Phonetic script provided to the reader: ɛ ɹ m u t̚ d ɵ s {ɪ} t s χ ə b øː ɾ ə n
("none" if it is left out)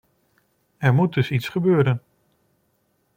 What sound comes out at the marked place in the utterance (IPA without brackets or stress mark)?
i